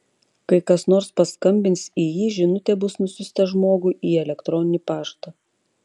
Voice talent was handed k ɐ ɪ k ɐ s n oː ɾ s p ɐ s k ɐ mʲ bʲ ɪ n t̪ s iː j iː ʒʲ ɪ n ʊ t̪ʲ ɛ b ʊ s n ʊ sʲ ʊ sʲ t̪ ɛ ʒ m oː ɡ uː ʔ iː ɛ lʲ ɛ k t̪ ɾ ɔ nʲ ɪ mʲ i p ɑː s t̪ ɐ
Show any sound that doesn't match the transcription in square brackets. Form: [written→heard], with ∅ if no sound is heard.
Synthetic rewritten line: k ɐ ɪ k ɐ s n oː ɾ s p ɐ s k ɐ mʲ bʲ ɪ n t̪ s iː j iː ʒʲ ɪ n ʊ t̪ʲ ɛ b ʊ s n ʊ sʲ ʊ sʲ t̪ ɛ ʒ m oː ɡ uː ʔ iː ɛ lʲ ɛ k t̪ ɾ ɔ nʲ ɪ [mʲ→nʲ] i p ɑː [s→ʃ] t̪ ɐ